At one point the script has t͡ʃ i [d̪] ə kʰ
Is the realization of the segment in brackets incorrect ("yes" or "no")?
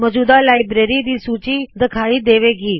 no